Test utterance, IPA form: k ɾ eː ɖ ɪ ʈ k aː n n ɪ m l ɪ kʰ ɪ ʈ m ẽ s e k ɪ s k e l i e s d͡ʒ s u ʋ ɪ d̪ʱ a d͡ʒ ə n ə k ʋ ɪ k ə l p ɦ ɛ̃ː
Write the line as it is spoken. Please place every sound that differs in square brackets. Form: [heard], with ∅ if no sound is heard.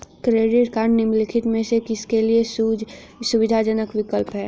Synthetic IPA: k ɾ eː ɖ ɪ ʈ k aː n n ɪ m l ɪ kʰ ɪ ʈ m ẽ s e k ɪ s k e l i e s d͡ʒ s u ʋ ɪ d̪ʱ a d͡ʒ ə n ə k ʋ ɪ k ə l p ɦ [ɛː]